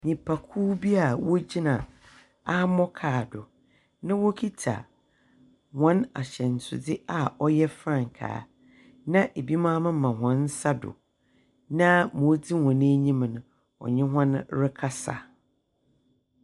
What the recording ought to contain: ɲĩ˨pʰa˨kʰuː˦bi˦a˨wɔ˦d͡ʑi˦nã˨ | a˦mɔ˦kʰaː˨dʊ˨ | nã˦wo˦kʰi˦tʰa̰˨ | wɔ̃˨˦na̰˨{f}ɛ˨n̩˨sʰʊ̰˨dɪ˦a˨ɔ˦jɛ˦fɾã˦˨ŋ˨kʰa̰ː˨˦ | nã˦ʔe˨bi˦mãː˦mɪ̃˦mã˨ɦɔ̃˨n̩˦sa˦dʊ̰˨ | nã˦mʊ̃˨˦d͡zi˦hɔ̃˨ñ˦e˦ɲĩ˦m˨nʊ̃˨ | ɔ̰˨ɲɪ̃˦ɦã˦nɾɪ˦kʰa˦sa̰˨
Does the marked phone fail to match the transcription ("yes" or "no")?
yes